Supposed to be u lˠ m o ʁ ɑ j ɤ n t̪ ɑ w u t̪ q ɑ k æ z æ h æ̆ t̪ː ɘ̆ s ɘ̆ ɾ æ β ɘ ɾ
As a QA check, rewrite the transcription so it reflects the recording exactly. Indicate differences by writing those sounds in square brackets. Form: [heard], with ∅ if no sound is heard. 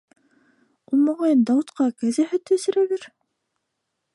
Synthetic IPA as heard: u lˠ m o ʁ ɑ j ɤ n [d̪] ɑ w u t̪ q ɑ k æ z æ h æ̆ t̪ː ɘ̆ s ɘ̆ ɾ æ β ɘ ɾ